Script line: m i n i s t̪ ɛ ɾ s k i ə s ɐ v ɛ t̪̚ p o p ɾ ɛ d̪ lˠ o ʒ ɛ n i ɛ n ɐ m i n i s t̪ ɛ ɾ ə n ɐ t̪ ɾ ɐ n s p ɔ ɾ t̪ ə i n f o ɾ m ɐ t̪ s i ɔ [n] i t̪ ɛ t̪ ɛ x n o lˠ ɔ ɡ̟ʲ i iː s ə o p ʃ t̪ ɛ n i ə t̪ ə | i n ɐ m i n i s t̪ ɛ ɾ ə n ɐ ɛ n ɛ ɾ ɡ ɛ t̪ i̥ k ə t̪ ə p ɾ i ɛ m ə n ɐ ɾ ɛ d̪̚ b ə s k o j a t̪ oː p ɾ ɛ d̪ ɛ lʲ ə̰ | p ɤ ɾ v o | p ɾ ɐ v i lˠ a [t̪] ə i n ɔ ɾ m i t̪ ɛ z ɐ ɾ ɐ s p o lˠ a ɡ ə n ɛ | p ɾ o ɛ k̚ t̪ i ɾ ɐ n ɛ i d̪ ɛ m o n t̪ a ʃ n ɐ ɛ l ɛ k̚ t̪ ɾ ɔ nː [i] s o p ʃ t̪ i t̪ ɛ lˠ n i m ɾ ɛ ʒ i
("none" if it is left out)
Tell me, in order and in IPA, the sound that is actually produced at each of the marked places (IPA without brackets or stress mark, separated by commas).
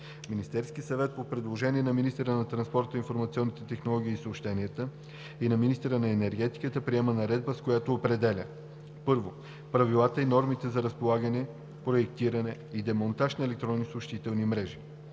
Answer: nː, t̪, i